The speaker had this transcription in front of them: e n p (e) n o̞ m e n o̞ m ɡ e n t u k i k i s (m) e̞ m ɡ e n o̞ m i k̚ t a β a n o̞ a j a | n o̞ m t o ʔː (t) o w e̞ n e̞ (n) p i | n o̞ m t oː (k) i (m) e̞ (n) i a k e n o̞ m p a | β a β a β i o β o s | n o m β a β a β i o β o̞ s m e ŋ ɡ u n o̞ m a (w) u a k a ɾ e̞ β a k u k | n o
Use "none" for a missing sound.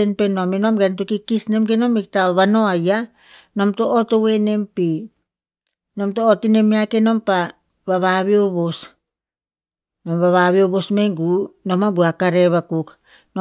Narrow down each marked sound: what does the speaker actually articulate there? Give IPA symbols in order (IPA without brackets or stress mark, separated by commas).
e, n, t, m, t, n, m, b